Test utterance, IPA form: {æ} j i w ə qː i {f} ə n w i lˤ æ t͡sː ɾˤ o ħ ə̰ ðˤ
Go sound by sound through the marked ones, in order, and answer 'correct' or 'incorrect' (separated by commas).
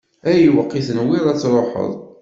correct, incorrect